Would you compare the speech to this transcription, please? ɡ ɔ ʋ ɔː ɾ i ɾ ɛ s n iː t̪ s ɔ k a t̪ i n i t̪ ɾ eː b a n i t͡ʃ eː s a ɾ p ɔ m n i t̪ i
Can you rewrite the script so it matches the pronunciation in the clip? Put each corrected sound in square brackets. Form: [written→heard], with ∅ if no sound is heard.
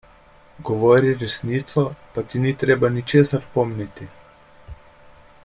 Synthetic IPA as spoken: ɡ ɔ ʋ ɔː ɾ i ɾ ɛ s n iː t̪ s ɔ [k→p] a t̪ i n i t̪ ɾ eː b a n i t͡ʃ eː s a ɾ p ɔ m n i t̪ i